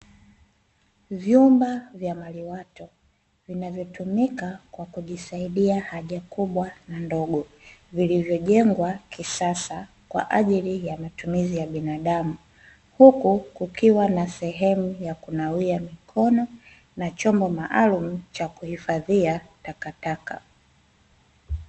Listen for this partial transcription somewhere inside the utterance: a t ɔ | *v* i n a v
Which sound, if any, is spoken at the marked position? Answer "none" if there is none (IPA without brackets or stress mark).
v